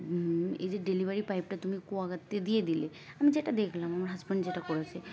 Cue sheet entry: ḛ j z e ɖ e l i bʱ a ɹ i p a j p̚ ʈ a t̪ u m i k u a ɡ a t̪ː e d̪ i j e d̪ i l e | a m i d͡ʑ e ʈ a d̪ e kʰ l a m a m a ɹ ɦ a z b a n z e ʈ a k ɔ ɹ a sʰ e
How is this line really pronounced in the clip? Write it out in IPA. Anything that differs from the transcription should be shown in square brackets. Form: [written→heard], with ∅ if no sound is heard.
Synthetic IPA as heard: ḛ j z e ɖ e l i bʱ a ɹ i p a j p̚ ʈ a t̪ u m i k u a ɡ a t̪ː e d̪ i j e d̪ i l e | a m i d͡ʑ e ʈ a d̪ e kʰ l a m a m a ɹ ɦ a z b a n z e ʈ a k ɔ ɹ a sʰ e